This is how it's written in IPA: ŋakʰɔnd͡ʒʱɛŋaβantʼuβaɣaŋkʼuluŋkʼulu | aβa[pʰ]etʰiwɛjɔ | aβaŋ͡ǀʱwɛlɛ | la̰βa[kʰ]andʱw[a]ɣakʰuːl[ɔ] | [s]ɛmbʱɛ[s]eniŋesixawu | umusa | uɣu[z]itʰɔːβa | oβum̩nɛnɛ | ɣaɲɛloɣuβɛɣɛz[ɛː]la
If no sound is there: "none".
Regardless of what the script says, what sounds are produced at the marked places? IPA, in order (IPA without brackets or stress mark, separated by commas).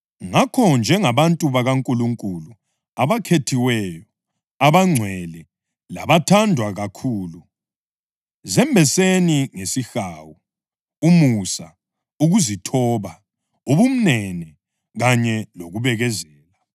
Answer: kʰ, tʰ, a, u, z, s, z, ɛː